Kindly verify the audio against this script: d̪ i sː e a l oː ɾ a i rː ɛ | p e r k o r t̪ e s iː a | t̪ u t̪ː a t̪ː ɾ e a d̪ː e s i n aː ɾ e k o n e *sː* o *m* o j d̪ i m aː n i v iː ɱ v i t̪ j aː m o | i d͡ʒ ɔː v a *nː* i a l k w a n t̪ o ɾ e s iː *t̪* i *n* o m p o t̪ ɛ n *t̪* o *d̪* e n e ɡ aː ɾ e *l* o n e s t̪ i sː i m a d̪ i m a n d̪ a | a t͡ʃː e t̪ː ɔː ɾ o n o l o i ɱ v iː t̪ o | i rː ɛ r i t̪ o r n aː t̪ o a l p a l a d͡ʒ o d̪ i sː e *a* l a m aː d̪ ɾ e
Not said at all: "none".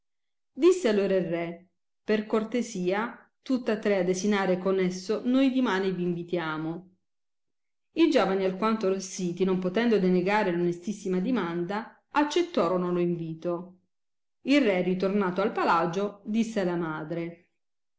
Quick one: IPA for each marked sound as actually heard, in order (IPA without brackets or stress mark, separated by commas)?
sː, n, n, t̪, n, d̪, d̪, l, a